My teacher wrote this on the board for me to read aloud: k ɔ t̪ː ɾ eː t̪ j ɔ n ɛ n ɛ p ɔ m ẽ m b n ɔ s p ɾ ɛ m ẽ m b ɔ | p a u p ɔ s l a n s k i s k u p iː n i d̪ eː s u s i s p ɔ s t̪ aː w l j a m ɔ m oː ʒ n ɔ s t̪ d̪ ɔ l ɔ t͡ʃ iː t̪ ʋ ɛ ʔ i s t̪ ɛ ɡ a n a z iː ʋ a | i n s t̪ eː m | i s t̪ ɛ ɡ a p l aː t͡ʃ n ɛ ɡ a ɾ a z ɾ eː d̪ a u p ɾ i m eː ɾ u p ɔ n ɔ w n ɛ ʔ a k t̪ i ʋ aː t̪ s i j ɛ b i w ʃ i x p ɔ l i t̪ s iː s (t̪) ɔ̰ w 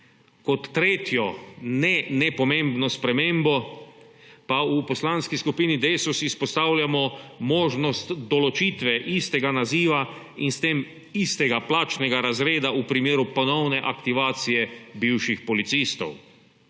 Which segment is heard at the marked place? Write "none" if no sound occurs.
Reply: t̪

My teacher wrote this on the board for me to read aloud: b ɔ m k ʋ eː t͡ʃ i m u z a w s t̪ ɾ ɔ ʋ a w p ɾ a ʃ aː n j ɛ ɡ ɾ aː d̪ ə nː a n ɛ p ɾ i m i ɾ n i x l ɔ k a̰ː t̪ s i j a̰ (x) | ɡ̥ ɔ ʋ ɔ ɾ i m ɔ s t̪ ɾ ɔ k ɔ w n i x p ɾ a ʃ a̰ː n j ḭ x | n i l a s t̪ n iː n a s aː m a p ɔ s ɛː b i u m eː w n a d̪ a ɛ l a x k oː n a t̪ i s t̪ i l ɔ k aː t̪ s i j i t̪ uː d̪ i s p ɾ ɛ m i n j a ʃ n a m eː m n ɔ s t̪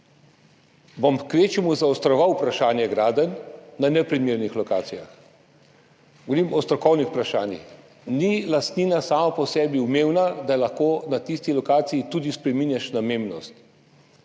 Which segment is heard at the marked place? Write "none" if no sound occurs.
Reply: x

